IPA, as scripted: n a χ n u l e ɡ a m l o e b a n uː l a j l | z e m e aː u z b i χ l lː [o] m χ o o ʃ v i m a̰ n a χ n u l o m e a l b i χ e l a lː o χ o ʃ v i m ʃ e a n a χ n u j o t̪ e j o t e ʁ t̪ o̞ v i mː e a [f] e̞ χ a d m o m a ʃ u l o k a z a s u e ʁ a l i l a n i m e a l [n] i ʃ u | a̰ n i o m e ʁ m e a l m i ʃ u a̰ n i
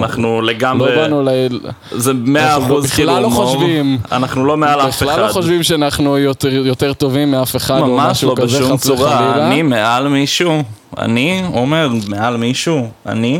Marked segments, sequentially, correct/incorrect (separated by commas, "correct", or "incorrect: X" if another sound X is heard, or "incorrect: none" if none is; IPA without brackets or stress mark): correct, correct, incorrect: m